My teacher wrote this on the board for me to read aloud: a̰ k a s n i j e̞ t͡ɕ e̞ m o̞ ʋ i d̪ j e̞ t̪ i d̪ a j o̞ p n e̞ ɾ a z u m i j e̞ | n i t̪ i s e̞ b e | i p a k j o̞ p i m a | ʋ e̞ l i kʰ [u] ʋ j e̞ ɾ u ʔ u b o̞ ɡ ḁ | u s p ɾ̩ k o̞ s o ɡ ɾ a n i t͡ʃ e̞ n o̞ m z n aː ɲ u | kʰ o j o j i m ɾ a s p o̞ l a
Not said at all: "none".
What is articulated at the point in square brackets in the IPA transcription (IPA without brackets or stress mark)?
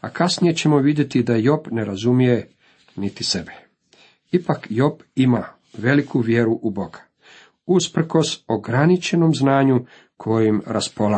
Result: u